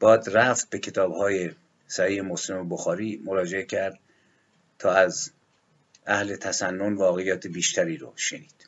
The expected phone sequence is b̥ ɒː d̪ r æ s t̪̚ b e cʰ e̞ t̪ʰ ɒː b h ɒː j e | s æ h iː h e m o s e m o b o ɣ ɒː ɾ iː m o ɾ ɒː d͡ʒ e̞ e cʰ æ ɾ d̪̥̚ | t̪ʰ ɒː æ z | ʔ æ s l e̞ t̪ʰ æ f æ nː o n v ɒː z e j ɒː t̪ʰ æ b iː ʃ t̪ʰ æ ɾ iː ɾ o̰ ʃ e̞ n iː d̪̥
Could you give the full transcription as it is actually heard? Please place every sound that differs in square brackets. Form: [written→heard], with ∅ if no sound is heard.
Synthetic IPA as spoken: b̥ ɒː d̪ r æ [s→f] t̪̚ b e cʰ e̞ t̪ʰ ɒː b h ɒː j e | s æ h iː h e m o s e m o b o [ɣ→x] ɒː ɾ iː m o ɾ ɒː d͡ʒ e̞ e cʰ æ ɾ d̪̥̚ | t̪ʰ ɒː æ z | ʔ æ [s→h] l e̞ t̪ʰ æ [f→s] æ nː o n v ɒː [z→ɣ] e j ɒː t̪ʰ [æ→e] b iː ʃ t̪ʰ æ ɾ iː ɾ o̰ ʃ e̞ n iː d̪̥